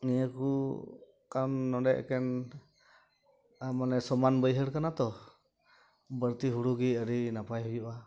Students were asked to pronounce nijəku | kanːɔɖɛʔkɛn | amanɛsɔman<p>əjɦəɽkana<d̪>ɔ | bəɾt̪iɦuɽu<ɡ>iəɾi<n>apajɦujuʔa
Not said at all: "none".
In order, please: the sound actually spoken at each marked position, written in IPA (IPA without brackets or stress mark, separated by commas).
b, t̪, ɡ, n